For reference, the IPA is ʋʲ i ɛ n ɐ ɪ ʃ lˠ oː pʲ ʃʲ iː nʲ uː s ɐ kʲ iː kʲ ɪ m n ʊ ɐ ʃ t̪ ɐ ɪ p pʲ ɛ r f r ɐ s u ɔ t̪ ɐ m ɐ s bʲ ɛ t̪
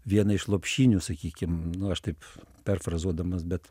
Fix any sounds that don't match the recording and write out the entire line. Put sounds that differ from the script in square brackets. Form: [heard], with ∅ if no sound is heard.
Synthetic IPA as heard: ʋʲ i ɛ n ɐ ɪ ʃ lˠ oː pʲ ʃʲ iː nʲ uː s ɐ kʲ iː kʲ ɪ m n ʊ ɐ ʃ t̪ ɐ ɪ p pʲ ɛ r f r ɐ [z] u ɔ [d̪] ɐ m ɐ s bʲ ɛ t̪